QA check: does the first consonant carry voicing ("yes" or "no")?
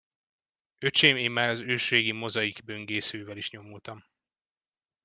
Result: no